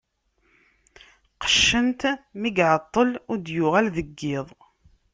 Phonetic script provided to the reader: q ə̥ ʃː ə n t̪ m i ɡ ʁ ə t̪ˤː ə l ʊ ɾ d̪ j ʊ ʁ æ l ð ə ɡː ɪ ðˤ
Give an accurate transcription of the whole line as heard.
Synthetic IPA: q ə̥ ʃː ə n t̪ m i ɡ ʕ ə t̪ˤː ə l ʊ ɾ d̪ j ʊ ʁ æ l ð ə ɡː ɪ ðˤ

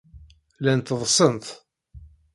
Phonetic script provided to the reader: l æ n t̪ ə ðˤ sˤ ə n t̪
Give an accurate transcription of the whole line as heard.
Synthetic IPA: l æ n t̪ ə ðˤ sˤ ə n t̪

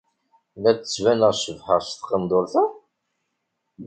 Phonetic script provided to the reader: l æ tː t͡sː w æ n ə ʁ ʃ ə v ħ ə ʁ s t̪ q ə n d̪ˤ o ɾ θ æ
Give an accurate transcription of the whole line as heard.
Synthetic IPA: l æ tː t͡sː v æ n ə ʁ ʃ ə v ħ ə ʁ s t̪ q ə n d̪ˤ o ɾ θ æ

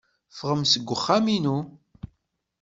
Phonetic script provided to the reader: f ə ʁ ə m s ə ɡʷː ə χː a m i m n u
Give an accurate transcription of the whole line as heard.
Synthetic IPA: f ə ʁ ə m s ə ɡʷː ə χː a m i n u

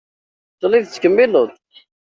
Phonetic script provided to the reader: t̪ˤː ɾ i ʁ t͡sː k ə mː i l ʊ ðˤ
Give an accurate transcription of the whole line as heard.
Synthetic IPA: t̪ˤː l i ð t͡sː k ə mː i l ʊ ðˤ

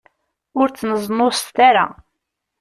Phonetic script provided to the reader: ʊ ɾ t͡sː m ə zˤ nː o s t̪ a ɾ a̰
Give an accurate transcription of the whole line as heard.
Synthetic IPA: ʊ ɾ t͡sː n ə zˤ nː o s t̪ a ɾ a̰

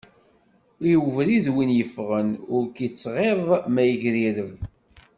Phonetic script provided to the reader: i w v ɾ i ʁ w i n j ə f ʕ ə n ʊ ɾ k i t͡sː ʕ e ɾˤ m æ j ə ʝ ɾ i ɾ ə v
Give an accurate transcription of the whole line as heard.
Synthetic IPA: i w v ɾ i ð w i n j ə f ʁ ə n ʊ ɾ k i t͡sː ʁ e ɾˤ m æ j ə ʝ ɾ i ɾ ə v

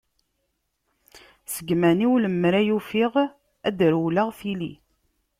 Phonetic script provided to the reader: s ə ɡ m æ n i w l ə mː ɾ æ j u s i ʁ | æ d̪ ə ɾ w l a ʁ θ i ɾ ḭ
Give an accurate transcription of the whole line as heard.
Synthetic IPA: s ə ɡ m æ n i w l ə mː ɾ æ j u f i ʁ | æ d̪ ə ɾ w l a ʁ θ i l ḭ

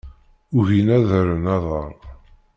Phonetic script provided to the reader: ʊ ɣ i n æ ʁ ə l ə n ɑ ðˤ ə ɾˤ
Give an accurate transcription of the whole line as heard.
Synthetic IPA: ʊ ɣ i n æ ð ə ɾ ə n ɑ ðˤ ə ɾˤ

